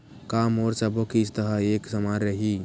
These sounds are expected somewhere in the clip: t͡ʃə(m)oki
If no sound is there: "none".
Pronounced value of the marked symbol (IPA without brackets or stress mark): b